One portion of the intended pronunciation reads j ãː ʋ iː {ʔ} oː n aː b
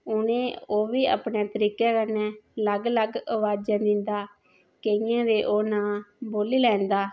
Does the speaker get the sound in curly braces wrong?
no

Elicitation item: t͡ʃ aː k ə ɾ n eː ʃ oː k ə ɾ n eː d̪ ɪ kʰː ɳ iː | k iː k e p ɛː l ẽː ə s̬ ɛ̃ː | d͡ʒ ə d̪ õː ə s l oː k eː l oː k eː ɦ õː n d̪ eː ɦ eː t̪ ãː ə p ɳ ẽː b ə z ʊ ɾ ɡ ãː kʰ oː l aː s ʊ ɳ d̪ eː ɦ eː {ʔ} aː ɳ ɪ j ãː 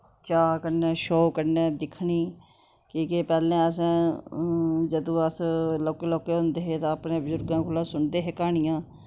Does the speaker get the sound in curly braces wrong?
yes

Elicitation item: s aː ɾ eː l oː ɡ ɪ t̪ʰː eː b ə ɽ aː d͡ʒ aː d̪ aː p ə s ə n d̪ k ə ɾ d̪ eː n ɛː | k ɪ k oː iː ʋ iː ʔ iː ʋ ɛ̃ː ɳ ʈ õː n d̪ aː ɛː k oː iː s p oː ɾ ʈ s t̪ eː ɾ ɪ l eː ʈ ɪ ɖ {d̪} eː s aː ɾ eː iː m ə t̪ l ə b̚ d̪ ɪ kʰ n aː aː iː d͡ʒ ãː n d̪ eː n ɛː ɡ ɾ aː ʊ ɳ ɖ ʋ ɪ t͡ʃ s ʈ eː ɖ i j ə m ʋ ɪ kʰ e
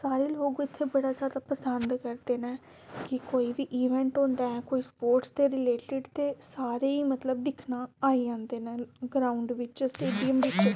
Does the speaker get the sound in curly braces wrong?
yes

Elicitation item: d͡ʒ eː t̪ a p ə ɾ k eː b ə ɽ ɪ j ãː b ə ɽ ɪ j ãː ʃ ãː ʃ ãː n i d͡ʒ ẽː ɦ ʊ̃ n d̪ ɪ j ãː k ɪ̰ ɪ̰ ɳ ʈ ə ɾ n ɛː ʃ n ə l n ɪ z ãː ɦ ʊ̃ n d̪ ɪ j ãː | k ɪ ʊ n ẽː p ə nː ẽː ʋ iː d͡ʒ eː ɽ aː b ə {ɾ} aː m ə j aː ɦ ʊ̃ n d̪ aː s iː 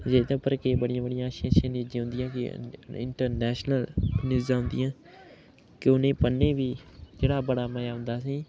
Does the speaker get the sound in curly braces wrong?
yes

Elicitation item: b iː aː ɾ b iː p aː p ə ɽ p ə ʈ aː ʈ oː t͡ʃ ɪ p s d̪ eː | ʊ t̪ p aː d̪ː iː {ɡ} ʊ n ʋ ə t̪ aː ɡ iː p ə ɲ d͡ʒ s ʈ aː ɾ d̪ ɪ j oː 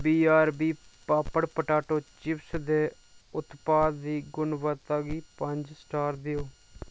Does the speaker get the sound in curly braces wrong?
no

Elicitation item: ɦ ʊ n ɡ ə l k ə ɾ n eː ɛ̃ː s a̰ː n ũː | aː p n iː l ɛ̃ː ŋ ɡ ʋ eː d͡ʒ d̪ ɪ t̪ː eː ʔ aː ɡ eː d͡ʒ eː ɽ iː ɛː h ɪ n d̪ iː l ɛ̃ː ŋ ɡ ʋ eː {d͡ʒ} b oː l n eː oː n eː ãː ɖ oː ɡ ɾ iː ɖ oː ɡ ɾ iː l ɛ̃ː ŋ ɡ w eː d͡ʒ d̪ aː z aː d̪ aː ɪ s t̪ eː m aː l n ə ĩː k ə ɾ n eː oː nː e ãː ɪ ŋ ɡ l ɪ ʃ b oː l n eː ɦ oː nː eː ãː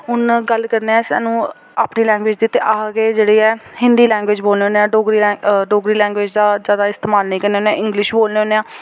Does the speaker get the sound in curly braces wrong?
no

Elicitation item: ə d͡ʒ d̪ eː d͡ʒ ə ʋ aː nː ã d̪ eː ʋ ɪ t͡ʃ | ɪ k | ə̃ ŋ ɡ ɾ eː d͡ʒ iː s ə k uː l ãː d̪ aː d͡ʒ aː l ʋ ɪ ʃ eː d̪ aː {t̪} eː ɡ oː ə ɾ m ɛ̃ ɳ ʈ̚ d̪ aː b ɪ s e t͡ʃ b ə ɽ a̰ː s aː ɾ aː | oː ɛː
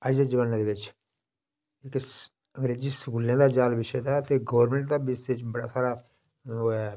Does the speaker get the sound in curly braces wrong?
no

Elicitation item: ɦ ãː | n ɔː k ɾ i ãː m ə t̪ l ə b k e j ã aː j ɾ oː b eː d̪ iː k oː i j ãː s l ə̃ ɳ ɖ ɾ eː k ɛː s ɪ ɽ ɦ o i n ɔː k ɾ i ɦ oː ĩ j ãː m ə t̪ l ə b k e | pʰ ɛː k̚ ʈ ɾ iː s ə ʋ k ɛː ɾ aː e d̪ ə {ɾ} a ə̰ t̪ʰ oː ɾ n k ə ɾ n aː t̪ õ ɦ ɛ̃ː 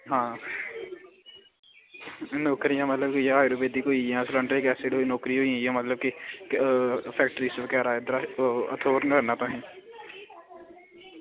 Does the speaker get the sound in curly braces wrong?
no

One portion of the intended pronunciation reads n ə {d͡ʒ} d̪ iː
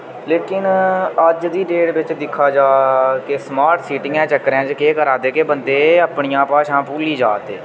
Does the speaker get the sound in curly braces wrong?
no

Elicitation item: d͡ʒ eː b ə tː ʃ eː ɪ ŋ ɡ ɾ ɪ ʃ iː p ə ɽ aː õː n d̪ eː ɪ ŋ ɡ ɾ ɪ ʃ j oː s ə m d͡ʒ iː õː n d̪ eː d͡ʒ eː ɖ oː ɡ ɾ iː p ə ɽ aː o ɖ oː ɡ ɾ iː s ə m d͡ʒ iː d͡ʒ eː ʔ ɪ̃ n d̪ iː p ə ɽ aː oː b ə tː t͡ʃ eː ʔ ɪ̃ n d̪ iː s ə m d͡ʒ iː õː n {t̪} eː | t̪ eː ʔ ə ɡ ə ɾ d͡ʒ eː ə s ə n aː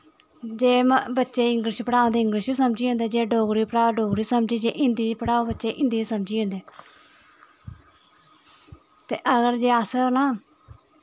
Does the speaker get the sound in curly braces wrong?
yes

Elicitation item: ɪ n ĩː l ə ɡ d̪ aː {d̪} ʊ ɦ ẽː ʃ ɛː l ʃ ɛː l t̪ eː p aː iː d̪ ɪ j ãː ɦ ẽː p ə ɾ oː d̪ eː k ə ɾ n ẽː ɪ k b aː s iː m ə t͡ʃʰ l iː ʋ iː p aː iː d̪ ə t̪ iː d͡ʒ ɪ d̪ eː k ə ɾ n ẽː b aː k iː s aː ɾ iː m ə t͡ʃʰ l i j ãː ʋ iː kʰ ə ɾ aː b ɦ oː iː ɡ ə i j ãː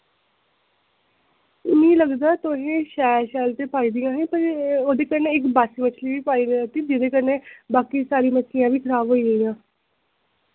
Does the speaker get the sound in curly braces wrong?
yes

